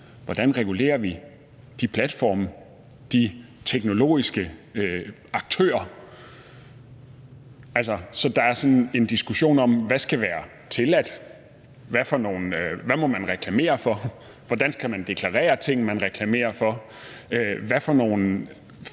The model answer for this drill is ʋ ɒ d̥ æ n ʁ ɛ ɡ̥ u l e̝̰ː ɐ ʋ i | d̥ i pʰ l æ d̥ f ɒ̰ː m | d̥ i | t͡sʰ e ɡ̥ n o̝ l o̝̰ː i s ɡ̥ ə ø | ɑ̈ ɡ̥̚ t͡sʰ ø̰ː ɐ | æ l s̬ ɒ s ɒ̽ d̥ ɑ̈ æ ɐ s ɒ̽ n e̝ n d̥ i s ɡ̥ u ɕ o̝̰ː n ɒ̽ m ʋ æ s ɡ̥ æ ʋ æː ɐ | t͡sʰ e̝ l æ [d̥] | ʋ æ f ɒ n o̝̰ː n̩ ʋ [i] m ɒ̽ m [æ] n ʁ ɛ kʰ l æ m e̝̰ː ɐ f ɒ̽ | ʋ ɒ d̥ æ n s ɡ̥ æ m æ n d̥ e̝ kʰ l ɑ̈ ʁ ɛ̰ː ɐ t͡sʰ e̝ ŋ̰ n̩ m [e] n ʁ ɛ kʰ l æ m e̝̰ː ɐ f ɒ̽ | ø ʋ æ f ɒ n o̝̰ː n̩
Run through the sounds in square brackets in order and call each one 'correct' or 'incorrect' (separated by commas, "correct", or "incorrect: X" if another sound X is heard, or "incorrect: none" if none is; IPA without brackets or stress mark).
correct, incorrect: æ, correct, incorrect: æ